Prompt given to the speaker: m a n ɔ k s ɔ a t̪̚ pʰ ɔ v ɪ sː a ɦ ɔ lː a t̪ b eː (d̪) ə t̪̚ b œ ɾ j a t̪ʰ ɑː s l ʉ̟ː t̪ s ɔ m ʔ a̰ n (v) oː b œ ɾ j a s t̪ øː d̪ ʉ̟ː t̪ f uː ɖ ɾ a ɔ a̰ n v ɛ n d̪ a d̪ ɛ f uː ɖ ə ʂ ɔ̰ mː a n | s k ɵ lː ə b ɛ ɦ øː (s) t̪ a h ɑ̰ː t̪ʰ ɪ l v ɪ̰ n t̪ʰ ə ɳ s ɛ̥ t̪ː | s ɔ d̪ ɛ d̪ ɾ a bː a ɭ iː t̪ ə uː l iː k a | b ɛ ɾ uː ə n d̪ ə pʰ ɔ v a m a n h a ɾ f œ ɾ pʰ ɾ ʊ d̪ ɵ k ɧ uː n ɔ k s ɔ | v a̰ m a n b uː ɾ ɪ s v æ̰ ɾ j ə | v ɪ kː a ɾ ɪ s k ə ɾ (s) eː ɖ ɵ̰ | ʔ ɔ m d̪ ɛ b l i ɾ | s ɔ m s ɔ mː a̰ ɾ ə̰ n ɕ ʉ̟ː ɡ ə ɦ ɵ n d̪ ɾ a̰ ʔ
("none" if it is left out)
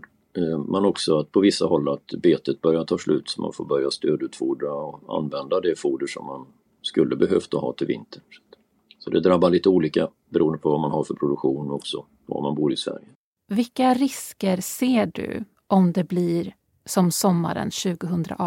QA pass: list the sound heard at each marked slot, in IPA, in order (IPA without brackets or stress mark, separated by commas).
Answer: t̪, f, f, s